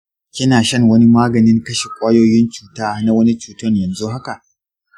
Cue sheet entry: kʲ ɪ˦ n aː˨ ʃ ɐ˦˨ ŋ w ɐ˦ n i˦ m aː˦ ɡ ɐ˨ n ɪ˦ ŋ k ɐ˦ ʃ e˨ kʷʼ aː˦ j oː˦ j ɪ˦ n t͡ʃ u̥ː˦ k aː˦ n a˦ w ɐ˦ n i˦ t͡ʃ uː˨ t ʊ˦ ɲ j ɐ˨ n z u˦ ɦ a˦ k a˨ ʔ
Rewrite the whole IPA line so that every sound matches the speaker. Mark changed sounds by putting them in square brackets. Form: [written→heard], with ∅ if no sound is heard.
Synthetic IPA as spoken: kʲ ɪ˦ n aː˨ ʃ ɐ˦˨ ŋ w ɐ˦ n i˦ m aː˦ ɡ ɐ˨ n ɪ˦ ŋ k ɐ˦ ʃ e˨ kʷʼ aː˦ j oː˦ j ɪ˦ n t͡ʃ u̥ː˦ [k→t] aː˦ n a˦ w ɐ˦ n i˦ t͡ʃ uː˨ t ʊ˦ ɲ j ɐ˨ n z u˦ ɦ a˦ k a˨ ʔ